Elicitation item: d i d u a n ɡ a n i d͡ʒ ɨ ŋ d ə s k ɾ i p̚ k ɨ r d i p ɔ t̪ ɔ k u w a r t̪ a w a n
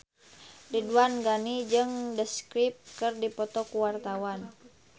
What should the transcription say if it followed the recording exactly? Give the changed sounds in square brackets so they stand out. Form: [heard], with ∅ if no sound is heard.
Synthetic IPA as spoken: d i d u a n ɡ a n i d͡ʒ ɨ ŋ d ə s k ɾ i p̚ k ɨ r d i p ɔ t̪ ɔ k u w a r t̪ a w a n